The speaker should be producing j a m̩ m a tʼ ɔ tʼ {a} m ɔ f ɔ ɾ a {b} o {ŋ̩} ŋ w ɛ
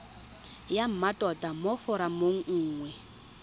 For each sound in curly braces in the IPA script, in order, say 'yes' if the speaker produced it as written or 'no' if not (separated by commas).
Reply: yes, no, no